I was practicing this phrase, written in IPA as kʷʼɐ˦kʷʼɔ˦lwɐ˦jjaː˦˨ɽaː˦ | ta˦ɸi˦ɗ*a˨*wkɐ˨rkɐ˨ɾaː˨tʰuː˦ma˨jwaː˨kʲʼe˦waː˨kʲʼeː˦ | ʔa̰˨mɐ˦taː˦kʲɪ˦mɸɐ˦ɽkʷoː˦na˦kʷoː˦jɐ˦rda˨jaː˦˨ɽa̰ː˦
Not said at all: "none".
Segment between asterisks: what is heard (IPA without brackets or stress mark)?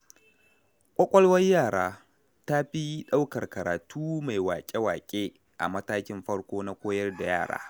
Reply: a˦